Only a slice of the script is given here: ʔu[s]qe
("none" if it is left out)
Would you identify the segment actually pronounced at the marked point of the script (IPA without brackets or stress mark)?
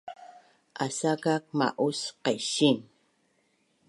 s